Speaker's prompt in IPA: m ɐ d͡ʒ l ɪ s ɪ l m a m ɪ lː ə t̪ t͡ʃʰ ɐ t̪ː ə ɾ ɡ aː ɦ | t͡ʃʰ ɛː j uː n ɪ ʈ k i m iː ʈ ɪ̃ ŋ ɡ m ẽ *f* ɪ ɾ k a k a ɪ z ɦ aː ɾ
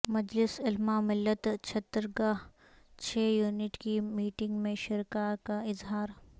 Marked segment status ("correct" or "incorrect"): incorrect